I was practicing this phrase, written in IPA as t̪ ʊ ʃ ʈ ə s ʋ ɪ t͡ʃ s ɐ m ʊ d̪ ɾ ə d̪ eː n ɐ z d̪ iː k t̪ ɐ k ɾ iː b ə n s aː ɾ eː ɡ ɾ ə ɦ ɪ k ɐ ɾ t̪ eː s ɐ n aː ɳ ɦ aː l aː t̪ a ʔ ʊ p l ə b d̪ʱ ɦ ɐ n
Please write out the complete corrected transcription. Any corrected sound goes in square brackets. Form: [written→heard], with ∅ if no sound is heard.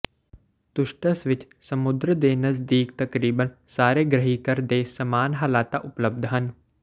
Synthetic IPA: t̪ ʊ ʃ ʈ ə s ʋ ɪ t͡ʃ s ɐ m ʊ d̪ ɾ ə d̪ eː n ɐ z d̪ iː k t̪ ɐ k ɾ iː b ə n s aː ɾ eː ɡ ɾ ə ɦ [ɪ→i] k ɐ ɾ [t̪→d̪] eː s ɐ [n→m] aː [ɳ→n] ɦ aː l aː t̪ a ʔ ʊ p l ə b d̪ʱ ɦ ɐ n